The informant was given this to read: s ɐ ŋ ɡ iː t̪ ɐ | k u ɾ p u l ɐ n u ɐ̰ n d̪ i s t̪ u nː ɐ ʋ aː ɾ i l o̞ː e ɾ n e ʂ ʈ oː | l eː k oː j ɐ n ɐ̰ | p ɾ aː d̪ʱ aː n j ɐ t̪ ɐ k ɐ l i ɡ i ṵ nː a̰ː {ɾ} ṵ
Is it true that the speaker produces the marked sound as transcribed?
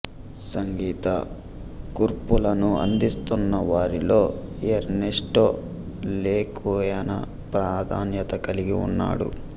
no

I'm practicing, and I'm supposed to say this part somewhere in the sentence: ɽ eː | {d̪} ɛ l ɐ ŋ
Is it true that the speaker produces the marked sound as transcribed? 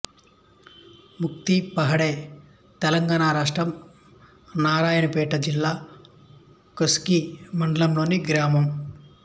no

